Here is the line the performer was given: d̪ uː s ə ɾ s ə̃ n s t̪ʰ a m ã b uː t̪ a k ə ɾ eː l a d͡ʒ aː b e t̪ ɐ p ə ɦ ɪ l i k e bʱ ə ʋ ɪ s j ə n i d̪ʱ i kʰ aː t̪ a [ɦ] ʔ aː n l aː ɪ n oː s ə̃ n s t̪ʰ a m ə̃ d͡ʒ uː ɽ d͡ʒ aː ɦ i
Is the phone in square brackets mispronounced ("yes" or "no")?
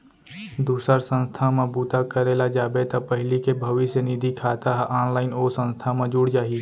no